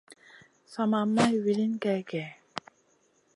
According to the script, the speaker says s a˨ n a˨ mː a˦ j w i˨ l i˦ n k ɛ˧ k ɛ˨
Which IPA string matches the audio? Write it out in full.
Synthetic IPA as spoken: s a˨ m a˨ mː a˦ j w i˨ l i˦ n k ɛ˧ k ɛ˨